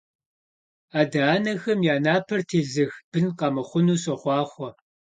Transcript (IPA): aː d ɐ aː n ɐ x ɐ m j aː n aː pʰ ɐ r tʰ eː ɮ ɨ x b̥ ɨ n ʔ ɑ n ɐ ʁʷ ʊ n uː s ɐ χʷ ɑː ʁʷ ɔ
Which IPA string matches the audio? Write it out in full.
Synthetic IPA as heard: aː d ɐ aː n ɐ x ɐ m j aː n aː pʰ ɐ r tʰ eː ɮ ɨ x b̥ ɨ n q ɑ m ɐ χʷ ʊ n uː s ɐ χʷ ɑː χʷ ɔ